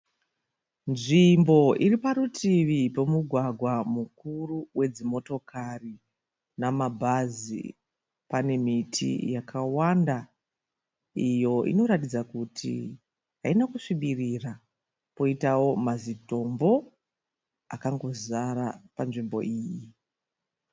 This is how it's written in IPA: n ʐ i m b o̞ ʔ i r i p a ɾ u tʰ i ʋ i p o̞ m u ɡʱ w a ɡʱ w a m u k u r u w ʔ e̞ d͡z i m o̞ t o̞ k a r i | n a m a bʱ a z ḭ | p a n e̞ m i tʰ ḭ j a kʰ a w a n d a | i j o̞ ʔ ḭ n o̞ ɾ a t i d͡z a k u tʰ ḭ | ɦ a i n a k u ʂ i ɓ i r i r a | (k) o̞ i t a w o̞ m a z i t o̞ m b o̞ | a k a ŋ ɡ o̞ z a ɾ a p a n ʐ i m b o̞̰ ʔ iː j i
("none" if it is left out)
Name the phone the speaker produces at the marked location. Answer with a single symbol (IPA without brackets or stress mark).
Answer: p